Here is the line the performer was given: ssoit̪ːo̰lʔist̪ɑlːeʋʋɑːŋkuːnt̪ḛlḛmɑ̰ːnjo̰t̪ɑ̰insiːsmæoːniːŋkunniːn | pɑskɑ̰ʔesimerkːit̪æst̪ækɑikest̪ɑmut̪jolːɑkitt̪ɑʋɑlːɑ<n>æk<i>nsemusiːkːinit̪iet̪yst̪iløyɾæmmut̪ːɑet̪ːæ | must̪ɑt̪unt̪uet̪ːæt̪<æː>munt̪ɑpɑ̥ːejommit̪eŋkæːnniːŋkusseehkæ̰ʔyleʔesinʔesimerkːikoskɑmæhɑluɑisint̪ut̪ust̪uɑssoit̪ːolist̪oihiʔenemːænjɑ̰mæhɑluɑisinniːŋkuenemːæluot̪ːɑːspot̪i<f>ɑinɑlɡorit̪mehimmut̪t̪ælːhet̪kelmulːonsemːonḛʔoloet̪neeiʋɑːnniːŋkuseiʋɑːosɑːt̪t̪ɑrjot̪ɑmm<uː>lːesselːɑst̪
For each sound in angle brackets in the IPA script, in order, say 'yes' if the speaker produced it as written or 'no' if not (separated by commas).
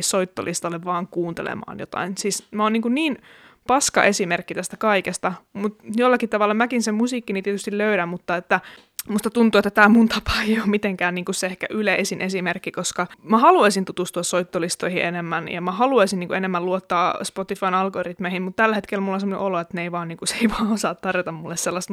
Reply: no, yes, yes, yes, no